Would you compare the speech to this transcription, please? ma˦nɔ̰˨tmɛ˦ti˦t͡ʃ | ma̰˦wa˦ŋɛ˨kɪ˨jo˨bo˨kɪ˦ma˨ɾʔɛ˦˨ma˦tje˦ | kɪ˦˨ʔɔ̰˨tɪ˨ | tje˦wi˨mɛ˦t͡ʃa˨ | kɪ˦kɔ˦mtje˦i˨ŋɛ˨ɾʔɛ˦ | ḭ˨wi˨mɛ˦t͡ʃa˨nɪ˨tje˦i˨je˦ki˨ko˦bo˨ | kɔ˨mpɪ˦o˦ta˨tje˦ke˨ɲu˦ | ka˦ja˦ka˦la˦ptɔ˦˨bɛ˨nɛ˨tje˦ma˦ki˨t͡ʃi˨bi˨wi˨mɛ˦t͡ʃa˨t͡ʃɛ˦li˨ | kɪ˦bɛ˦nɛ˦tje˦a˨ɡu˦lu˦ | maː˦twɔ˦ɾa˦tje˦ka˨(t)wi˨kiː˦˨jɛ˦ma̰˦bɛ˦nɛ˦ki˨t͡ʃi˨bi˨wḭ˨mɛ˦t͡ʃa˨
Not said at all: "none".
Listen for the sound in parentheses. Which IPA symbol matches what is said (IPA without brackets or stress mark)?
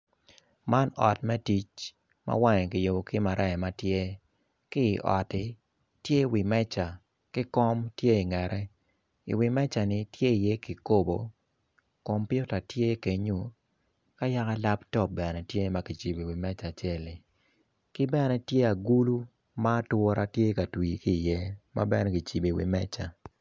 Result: t